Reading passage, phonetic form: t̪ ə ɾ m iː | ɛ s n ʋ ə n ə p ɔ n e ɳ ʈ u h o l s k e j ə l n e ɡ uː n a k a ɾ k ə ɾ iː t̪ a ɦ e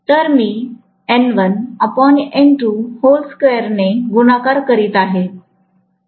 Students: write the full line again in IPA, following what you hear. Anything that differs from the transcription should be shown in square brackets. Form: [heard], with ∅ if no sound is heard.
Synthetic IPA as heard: t̪ ə ɾ m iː | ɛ [∅] n ʋ ə n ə p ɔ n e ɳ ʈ u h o l s k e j ə [ɾ] n e ɡ [u] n a k a ɾ k ə ɾ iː t̪ a ɦ e